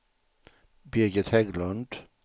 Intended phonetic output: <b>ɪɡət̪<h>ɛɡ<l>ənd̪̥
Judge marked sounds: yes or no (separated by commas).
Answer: yes, yes, yes